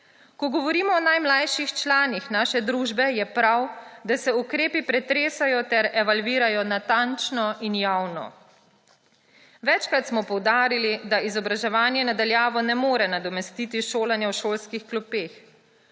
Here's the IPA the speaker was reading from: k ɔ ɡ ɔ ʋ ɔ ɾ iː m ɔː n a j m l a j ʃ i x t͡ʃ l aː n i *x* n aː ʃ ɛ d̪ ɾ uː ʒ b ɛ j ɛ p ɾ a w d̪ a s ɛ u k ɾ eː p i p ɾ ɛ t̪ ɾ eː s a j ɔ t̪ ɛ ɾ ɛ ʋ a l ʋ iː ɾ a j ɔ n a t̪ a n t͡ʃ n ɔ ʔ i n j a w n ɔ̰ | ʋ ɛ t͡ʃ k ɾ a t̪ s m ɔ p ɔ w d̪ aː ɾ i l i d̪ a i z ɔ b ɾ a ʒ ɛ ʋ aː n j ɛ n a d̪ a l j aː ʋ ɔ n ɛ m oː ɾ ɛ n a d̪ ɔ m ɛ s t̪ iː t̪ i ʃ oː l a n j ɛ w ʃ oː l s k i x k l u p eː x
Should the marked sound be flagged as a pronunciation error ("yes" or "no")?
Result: no